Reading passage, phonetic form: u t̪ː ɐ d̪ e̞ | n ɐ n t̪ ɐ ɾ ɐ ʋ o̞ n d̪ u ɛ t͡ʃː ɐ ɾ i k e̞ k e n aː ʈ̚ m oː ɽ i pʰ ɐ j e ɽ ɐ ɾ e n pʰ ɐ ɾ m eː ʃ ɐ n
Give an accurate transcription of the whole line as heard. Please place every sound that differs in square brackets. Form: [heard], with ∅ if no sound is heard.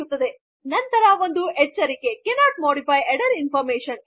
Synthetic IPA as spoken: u t̪ː ɐ d̪ e̞ | n ɐ n t̪ ɐ ɾ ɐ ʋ o̞ n d̪ u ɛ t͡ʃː ɐ ɾ i k e̞ k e n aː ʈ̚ m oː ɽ i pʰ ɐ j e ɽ ɐ ɾ [i] n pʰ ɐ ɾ m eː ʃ ɐ n